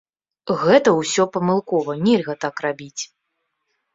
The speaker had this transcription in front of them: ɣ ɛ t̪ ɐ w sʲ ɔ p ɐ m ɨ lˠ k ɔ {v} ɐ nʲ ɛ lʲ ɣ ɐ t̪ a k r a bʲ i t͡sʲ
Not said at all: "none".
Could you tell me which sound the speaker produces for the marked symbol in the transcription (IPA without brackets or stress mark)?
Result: v